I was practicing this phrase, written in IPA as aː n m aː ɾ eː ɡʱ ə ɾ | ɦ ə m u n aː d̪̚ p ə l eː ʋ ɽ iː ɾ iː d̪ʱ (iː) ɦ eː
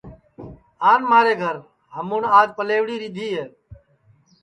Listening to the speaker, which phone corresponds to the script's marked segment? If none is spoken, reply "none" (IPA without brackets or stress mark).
iː